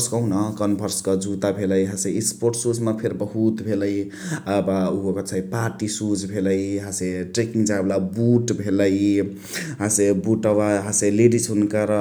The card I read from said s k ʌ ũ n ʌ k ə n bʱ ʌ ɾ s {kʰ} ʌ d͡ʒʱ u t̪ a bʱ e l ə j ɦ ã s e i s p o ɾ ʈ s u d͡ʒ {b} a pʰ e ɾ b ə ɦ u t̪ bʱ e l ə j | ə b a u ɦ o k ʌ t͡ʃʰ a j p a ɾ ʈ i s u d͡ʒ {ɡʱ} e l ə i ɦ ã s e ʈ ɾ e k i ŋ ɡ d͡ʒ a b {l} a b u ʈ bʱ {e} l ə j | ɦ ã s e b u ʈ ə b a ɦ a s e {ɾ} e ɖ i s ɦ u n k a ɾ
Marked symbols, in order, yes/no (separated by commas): no, no, no, yes, yes, no